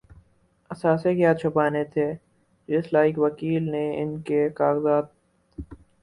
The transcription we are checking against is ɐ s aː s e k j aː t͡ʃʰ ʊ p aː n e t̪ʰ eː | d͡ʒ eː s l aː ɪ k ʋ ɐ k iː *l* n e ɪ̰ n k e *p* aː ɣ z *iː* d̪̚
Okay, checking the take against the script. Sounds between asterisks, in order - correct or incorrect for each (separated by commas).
correct, incorrect, incorrect